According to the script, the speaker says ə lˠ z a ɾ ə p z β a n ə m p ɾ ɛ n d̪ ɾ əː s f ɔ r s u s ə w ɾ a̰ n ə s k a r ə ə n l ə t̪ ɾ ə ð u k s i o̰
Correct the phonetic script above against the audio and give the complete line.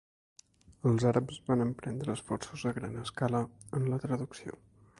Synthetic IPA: ə lˠ z a ɾ ə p z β a n ə m p ɾ ɛ n d̪ ɾ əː s f ɔ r s u z ə ɣ ɾ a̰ n ə s k a l ə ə n l ə t̪ ɾ ə ð u k s i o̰